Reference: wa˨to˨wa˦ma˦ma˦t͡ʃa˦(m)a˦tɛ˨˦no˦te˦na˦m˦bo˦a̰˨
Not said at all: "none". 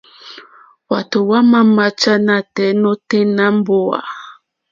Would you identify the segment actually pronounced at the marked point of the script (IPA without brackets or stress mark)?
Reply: n